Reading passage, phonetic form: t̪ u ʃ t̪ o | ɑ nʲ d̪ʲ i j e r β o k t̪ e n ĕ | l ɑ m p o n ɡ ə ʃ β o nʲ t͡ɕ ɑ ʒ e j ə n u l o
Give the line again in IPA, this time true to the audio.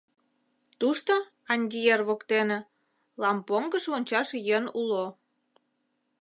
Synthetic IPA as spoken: t̪ u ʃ t̪ o | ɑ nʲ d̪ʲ i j e r β o k t̪ e n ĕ | l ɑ m p o ŋ ɡ ə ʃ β o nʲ t͡ɕ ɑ ʃ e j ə n u l o